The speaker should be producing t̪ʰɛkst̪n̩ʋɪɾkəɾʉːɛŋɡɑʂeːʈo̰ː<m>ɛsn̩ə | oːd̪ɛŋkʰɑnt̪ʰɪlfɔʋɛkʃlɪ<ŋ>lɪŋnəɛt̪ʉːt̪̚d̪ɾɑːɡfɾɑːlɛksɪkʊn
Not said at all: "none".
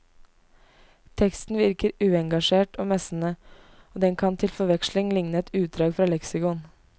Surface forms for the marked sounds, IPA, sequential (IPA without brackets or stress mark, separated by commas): m, ŋ